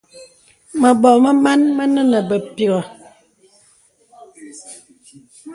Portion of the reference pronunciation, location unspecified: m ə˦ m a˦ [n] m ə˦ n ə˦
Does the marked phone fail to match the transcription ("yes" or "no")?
no